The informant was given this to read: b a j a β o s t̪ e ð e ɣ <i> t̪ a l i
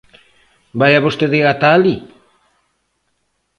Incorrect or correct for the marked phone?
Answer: incorrect: a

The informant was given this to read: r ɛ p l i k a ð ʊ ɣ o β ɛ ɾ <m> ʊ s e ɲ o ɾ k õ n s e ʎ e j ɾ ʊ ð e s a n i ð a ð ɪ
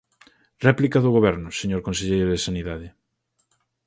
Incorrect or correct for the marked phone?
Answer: incorrect: n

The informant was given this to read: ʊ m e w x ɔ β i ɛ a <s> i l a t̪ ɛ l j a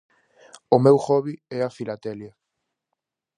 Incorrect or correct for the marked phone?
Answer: incorrect: f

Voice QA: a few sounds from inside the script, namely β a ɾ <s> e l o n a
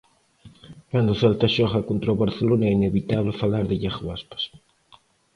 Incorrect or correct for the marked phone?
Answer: incorrect: θ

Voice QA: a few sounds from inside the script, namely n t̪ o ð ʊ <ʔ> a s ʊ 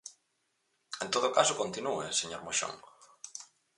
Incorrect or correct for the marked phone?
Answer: incorrect: k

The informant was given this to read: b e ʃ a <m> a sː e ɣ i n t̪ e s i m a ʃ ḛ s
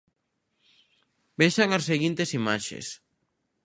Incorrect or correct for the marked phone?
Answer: incorrect: ŋ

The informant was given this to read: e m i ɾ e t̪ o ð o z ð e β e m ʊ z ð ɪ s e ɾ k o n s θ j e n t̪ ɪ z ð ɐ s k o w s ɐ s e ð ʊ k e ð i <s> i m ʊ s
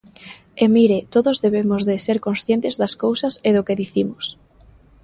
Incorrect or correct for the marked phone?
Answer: incorrect: θ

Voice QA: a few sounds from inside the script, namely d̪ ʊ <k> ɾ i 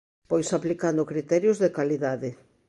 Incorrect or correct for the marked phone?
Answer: correct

